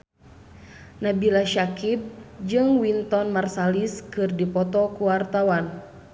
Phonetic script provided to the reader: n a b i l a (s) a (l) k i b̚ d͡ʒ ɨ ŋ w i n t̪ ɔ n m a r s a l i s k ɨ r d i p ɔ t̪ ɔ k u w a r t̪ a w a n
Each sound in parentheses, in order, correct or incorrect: incorrect: ʃ, incorrect: none

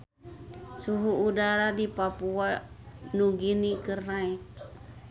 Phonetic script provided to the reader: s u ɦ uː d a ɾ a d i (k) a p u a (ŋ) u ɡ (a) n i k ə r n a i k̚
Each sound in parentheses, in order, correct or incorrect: incorrect: p, incorrect: n, incorrect: i

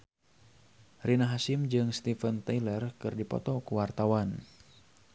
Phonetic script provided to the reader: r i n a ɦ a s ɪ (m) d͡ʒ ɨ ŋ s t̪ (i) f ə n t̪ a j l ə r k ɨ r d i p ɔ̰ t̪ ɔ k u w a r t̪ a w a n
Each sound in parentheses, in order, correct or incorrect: correct, correct

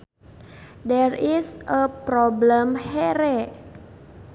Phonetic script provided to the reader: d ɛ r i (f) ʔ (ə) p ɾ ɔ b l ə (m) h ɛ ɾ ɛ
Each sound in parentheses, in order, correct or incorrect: incorrect: s, correct, correct

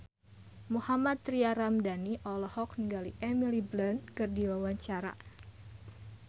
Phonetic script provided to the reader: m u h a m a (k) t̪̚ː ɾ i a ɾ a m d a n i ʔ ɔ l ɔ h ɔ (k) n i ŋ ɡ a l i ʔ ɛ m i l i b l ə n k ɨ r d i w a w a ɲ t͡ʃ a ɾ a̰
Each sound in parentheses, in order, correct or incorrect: incorrect: none, correct

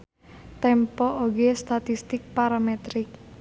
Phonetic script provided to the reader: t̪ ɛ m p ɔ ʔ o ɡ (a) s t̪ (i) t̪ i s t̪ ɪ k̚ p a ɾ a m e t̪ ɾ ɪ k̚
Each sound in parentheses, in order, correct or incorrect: incorrect: e, incorrect: a

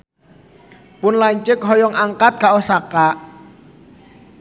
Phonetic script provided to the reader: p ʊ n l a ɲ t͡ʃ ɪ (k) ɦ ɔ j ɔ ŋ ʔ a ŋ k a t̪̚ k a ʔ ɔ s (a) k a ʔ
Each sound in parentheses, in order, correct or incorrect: correct, correct

